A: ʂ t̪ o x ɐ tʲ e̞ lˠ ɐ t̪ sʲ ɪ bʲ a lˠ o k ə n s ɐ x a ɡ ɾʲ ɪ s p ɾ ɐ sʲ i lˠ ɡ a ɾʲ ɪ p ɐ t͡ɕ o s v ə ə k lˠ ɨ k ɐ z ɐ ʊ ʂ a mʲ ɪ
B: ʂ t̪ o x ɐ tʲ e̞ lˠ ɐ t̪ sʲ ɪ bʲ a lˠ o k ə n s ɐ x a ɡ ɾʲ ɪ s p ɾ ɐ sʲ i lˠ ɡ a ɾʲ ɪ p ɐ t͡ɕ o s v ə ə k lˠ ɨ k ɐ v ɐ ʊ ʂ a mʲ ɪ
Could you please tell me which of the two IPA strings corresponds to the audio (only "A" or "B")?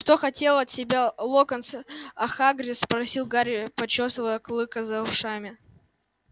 A